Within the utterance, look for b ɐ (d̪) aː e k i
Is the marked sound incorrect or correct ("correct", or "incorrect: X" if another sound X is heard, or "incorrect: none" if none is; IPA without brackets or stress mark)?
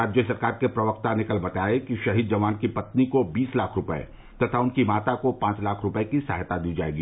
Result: incorrect: t̪